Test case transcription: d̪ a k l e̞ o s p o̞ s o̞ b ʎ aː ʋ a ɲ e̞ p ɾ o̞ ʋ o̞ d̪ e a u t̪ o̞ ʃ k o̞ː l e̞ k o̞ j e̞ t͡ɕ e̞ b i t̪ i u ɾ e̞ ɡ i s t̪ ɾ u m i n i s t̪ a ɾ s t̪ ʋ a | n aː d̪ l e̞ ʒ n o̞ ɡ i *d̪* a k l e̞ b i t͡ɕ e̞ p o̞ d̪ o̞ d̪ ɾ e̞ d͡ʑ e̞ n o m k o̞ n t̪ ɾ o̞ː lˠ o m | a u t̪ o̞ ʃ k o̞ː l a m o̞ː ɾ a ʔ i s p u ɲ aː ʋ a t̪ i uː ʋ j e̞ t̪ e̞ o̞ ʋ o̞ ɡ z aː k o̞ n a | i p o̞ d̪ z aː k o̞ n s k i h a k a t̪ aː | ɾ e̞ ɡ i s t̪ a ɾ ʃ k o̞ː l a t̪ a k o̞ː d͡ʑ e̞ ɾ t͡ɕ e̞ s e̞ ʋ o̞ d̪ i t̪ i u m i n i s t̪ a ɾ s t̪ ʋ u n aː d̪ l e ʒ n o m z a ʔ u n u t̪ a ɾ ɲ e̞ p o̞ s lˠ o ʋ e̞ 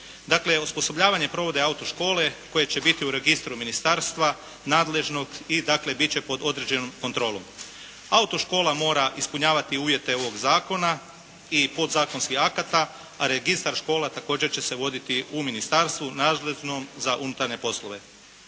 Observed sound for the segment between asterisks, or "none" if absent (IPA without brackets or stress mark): d̪